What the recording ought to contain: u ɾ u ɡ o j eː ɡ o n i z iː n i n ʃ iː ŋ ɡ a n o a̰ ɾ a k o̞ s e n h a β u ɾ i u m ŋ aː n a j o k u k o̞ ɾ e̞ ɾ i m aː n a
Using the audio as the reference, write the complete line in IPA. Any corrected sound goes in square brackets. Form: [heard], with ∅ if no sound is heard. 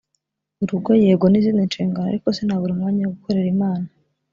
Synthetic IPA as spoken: u ɾ u ɡ o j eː ɡ o n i z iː n i n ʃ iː ŋ ɡ a n o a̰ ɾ [i] k o̞ s e n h a β u ɾ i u m ŋ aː [ɲ] a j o [ɡ] u k o̞ ɾ e̞ ɾ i m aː n a